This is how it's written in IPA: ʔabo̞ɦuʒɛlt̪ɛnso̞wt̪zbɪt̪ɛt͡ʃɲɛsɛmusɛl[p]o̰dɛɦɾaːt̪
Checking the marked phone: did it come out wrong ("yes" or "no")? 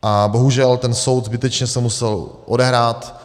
yes